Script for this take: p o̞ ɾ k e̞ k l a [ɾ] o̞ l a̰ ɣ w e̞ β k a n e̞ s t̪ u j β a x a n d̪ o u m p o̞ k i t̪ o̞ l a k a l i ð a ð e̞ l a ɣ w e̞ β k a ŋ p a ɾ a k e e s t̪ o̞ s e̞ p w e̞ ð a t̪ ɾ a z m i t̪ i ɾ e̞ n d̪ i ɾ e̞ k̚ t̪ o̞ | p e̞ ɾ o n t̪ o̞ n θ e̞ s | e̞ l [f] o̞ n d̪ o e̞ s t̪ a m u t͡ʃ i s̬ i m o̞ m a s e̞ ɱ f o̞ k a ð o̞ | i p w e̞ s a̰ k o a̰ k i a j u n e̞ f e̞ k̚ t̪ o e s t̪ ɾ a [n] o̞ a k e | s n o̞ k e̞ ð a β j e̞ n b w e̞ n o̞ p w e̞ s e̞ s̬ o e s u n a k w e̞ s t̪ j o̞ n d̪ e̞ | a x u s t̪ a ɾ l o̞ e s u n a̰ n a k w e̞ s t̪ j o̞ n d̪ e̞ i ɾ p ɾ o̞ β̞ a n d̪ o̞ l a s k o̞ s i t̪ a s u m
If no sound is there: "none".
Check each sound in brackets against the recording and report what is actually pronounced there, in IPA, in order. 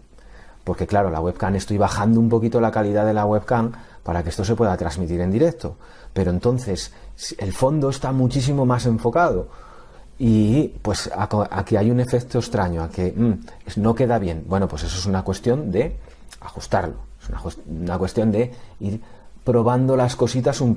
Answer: ɾ, f, ɲ

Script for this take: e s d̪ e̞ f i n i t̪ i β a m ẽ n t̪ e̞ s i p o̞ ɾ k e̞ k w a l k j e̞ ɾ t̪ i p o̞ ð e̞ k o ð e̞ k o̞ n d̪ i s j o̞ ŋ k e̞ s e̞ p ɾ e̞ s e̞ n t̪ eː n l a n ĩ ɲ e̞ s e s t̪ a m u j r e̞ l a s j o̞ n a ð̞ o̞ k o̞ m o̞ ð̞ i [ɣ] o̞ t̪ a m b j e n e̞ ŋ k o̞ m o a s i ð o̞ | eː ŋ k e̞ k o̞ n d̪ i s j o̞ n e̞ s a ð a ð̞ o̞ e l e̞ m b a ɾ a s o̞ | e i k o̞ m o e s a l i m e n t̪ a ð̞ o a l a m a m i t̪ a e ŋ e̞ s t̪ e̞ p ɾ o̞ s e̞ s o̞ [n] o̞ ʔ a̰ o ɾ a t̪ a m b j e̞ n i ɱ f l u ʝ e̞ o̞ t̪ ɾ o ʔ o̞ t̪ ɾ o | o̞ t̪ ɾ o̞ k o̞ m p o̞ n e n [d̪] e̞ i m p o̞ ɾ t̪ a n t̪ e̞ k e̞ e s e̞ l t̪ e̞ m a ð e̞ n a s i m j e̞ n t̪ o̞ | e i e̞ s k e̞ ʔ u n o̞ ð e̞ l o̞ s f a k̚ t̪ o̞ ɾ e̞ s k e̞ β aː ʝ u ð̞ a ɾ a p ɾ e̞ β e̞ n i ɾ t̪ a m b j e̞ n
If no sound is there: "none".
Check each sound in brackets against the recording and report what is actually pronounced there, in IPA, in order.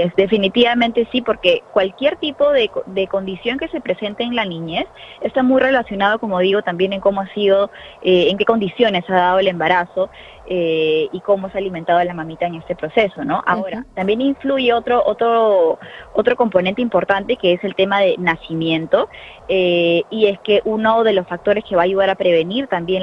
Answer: ɣ, n, t̪

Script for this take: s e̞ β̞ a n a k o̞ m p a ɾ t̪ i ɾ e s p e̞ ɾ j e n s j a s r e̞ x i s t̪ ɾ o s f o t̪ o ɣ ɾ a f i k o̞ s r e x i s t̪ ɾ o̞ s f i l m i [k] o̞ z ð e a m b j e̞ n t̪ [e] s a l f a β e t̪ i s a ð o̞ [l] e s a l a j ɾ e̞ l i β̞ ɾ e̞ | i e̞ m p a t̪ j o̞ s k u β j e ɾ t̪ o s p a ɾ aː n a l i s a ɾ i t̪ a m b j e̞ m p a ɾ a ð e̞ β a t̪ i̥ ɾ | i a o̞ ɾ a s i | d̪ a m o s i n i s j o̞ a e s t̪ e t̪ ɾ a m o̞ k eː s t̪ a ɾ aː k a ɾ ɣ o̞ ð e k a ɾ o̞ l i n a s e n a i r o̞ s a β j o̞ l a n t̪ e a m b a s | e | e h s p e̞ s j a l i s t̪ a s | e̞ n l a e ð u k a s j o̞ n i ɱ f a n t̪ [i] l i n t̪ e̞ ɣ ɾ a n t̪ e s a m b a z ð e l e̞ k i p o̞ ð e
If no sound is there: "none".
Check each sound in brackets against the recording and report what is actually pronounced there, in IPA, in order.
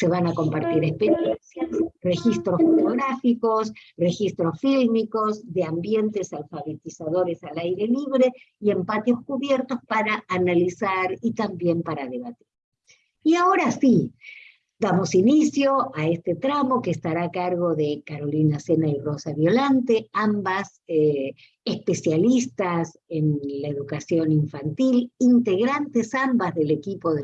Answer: k, e, ɾ, i

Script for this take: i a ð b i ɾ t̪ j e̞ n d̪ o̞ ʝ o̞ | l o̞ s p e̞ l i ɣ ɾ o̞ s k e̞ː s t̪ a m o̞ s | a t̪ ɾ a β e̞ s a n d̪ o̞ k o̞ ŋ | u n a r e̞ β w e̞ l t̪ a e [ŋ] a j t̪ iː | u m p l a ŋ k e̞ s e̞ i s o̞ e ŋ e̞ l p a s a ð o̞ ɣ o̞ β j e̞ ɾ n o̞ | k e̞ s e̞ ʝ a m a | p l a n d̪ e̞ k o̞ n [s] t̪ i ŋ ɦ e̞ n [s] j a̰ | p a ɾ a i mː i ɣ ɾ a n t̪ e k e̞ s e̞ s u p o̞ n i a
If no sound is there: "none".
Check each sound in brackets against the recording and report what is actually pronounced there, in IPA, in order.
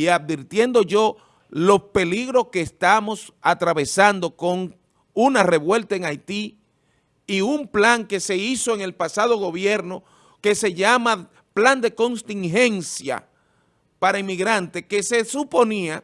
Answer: ŋ, s, s

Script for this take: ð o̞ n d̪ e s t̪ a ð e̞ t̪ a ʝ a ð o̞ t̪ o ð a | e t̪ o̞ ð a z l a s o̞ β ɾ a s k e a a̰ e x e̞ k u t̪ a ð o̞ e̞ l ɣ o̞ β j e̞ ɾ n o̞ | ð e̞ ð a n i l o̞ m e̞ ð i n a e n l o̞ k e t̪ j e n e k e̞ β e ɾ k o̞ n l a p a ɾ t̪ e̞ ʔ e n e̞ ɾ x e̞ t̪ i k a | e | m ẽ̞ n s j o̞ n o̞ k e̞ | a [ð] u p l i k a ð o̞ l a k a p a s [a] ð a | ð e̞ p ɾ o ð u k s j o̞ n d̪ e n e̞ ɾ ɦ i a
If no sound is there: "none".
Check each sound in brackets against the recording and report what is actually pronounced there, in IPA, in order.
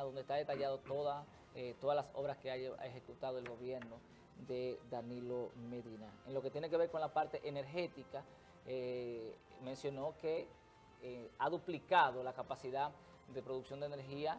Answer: ð, i

